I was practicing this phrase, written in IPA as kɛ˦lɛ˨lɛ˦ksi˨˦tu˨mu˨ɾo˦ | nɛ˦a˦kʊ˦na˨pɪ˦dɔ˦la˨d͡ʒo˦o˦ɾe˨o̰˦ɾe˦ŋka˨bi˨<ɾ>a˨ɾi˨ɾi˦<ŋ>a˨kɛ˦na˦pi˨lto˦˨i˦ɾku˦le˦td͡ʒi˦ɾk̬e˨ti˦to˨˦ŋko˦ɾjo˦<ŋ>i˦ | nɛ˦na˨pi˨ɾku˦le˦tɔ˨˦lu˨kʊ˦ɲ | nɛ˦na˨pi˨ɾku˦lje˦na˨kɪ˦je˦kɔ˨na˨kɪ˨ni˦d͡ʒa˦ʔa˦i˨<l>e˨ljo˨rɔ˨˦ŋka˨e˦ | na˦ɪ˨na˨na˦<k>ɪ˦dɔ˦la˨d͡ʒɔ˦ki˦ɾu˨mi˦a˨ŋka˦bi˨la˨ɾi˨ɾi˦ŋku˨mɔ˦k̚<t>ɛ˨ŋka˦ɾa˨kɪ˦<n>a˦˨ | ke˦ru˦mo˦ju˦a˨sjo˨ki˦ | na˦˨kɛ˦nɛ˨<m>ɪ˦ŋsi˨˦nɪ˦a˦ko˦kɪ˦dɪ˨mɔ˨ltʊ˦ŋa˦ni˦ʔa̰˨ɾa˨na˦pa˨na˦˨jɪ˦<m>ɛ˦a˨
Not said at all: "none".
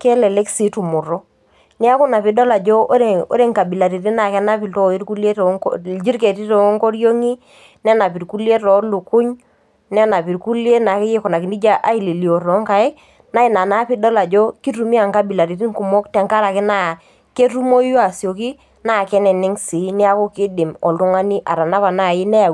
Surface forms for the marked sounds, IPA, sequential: l, n, ŋ, l, p, t, n, n, n

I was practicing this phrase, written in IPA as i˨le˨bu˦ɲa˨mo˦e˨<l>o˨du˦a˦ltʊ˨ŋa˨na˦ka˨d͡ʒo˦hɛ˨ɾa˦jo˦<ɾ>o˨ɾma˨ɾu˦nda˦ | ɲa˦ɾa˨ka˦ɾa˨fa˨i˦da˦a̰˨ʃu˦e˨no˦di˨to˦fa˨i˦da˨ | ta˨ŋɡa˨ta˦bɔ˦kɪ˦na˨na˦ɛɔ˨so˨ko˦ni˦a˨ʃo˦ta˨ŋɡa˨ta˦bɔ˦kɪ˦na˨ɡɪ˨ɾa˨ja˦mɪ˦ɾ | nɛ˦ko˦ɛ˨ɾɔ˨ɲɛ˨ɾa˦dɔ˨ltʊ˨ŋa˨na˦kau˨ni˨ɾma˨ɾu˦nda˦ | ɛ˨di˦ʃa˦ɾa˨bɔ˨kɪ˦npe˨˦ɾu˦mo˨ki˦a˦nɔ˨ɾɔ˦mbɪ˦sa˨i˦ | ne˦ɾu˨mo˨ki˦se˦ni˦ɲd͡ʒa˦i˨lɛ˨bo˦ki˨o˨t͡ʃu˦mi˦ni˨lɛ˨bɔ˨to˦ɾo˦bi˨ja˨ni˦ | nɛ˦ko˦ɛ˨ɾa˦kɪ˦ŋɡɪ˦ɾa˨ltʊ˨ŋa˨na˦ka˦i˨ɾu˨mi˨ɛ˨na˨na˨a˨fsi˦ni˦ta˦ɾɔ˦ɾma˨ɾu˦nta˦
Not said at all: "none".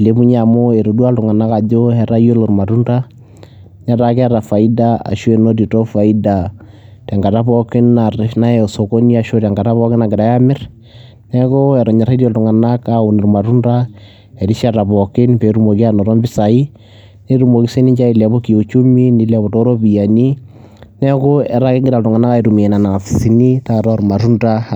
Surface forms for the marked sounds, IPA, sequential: ɾ, l

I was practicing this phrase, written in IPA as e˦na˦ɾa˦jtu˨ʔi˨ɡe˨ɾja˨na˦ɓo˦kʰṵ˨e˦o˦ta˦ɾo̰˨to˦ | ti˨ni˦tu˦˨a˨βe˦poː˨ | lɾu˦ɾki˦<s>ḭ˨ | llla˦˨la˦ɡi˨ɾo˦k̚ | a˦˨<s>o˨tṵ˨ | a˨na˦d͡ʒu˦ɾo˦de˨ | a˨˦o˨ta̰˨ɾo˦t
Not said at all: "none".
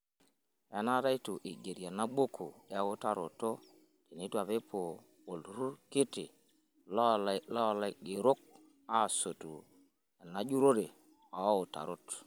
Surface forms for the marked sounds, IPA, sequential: t, s

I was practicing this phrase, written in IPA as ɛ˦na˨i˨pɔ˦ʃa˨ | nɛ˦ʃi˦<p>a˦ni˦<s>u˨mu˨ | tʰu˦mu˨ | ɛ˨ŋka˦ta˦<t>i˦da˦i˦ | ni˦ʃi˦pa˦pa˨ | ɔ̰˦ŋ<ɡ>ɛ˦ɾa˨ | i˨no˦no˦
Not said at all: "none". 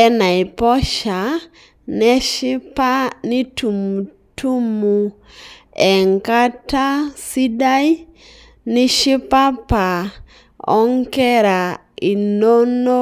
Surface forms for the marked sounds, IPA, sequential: p, t, s, k

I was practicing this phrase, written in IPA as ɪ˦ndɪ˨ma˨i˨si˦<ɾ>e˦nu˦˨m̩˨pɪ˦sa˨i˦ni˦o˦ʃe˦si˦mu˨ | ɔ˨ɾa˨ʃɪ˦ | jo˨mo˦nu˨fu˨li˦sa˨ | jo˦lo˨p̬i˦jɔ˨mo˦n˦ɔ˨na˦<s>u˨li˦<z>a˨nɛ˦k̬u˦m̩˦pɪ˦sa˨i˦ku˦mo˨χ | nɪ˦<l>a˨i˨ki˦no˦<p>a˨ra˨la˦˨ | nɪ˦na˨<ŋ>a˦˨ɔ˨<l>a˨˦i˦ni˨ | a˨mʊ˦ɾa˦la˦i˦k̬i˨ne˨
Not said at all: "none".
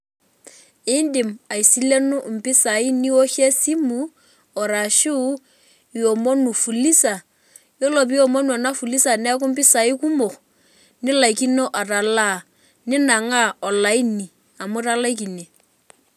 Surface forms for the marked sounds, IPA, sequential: l, f, s, l, ʔ, ŋ, l

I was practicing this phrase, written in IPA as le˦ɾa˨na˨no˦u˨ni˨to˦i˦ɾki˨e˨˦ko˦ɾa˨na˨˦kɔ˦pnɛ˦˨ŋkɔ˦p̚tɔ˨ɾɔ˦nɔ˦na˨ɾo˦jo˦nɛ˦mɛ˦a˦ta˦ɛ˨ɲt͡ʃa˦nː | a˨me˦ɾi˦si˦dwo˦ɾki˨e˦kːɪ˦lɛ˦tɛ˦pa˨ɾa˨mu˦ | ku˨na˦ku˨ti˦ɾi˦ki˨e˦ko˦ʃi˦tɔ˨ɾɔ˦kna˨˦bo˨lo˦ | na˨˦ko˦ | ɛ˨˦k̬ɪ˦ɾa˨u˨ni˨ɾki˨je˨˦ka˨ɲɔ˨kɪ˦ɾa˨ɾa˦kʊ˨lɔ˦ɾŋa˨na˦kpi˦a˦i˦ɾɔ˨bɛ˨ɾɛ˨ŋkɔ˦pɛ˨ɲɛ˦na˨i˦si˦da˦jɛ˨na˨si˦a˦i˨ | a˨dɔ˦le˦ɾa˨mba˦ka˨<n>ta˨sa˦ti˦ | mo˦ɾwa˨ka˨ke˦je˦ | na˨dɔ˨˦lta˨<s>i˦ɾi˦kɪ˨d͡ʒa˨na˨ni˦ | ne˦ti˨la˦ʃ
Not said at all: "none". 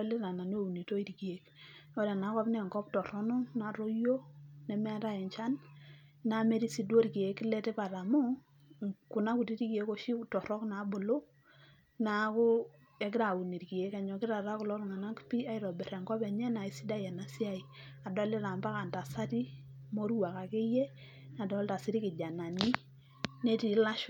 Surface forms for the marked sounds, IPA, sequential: n, s

